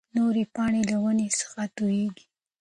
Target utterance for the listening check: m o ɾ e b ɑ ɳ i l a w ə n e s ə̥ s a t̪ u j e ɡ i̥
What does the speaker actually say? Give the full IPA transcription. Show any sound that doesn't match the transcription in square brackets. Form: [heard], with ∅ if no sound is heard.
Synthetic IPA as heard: [n] o ɾ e [p] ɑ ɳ [e] l a w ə n e s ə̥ [x] a t̪ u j e ɡ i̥